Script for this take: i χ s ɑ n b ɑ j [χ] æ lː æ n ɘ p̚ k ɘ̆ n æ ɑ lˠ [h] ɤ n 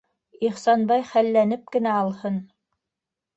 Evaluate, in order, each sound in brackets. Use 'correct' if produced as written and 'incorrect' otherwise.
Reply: correct, correct

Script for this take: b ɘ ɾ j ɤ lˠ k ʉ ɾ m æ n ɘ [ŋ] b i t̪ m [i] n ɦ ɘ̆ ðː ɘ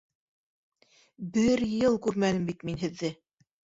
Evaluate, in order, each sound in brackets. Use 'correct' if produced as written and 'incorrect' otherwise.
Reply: incorrect: m, correct

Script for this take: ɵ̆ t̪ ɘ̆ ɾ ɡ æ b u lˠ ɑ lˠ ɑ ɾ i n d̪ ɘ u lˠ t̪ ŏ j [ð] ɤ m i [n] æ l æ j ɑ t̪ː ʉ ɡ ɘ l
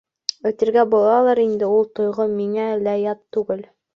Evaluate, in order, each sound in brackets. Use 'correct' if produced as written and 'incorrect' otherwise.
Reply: incorrect: ʁ, incorrect: ŋ

